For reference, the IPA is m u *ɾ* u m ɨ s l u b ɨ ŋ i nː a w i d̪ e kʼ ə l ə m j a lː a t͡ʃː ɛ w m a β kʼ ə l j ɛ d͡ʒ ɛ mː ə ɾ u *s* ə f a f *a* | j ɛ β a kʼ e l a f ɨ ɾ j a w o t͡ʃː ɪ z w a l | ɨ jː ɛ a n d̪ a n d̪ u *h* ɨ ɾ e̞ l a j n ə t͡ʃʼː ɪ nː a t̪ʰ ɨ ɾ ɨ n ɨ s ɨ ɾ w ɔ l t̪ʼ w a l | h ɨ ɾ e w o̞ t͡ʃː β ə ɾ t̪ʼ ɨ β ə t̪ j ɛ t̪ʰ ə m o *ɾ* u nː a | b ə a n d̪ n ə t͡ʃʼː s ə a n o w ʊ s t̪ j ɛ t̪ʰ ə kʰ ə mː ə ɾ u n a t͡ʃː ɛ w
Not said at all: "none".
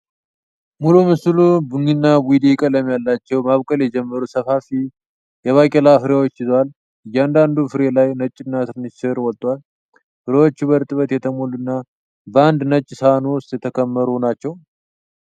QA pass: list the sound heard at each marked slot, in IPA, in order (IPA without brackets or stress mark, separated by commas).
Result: l, s, i, f, l